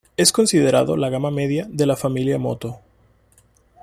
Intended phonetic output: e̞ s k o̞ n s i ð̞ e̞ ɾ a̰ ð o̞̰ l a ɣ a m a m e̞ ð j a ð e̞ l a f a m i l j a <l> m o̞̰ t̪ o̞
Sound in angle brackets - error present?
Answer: yes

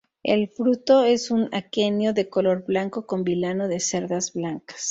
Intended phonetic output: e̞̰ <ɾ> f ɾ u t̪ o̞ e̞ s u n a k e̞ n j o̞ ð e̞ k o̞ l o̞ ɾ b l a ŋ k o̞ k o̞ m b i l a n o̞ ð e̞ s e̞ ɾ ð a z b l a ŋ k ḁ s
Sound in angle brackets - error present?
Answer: yes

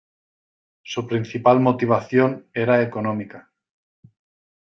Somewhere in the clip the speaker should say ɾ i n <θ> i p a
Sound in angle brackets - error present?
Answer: no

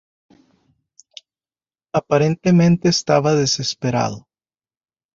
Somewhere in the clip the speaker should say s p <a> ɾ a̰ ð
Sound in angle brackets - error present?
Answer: yes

